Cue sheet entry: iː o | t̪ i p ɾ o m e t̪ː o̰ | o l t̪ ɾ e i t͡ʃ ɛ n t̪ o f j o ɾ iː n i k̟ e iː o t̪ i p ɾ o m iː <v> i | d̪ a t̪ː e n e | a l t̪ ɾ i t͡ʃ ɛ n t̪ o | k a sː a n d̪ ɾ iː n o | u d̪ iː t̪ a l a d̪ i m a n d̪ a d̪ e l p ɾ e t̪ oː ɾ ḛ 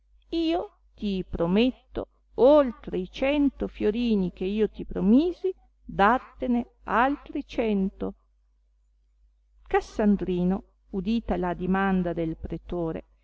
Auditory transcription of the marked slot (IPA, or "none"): z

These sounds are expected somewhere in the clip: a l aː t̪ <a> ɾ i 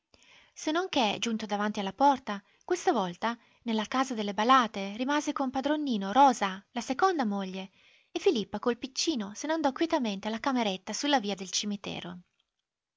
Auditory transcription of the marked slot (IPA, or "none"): e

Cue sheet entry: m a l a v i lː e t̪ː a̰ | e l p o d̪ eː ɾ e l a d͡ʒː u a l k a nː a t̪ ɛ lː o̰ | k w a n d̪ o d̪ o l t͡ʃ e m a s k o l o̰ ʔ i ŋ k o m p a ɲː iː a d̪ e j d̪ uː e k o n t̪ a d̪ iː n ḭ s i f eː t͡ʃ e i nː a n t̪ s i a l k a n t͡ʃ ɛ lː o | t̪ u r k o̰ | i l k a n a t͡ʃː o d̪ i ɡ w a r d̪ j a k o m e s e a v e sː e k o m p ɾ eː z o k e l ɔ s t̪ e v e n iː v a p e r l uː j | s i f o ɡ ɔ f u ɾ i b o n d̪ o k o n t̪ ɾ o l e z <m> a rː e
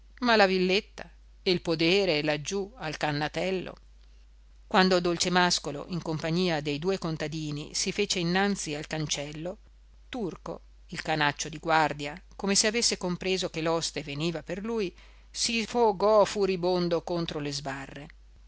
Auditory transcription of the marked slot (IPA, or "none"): b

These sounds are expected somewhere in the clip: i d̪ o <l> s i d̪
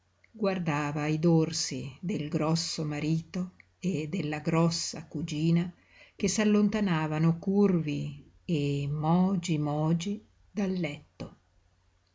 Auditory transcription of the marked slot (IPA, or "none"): r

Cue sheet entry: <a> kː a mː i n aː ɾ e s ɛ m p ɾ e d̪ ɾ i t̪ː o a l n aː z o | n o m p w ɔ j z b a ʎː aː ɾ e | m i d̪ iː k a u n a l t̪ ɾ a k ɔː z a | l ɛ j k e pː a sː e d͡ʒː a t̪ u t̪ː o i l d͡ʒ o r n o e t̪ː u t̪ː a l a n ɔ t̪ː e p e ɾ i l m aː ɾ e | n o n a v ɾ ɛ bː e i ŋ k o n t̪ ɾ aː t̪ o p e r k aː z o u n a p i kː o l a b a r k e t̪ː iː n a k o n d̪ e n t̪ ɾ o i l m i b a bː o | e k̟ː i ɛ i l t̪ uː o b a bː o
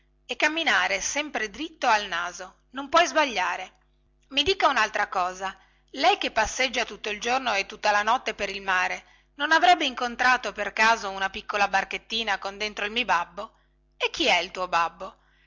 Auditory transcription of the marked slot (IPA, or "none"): e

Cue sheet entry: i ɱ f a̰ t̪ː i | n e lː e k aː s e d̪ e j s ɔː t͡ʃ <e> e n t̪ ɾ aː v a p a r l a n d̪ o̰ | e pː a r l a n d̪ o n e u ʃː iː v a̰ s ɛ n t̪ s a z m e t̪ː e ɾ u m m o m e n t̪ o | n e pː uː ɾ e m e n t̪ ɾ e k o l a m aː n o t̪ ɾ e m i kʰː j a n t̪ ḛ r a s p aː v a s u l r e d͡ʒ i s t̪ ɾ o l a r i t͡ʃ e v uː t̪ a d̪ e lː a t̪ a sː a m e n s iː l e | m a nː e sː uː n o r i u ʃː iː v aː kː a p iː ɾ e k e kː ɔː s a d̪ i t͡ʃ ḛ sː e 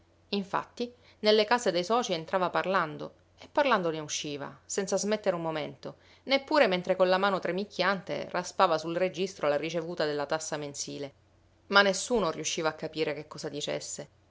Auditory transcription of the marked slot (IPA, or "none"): i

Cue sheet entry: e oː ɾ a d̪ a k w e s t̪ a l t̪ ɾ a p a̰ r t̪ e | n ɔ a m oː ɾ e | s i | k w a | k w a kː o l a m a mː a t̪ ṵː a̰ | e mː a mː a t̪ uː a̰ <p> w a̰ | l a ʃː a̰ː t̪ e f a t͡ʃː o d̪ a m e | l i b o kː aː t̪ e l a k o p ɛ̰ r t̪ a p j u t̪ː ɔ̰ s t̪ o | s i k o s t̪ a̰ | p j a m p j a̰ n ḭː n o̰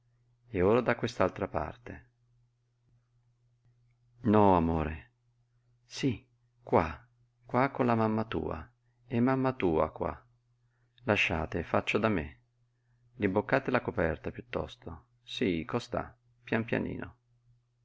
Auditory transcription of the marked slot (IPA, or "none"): k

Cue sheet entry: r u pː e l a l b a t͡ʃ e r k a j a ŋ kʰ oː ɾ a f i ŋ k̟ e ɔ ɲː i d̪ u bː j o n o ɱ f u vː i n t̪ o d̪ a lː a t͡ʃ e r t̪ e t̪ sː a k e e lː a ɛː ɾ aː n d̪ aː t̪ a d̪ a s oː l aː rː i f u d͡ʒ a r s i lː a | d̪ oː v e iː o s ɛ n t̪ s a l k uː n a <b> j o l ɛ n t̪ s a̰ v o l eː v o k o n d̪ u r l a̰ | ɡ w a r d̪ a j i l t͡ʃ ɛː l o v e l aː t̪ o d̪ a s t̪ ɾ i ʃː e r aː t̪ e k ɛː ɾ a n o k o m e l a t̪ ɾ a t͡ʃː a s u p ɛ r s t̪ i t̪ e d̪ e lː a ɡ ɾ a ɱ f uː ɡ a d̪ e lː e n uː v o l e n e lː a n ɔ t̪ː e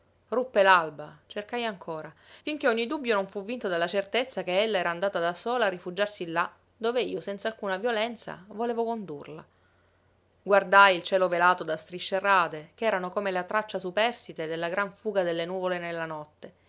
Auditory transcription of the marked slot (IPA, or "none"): v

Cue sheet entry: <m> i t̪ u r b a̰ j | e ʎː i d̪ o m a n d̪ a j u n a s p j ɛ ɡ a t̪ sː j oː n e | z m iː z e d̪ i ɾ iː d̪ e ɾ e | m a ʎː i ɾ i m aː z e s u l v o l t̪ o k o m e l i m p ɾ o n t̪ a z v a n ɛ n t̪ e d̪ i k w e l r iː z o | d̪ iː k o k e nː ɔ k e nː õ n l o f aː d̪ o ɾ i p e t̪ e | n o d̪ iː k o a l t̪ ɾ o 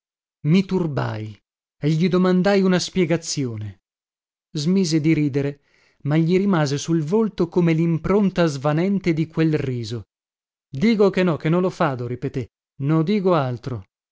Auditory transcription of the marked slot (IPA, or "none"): m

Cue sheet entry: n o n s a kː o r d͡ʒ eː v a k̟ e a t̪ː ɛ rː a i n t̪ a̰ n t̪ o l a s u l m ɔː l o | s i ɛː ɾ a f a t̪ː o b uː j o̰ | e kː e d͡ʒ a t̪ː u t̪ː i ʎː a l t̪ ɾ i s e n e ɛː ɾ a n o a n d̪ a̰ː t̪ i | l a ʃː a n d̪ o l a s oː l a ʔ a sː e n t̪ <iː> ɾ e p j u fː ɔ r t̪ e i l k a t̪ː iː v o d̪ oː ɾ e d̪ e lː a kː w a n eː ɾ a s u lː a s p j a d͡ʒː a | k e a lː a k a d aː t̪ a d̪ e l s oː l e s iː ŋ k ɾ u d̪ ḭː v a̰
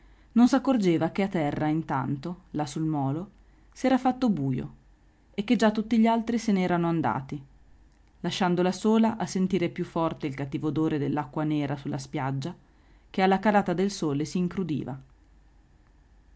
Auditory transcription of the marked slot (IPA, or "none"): iː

